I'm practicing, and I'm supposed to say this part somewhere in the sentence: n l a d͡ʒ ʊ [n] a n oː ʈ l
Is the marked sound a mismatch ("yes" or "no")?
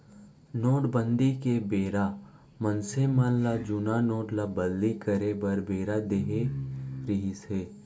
no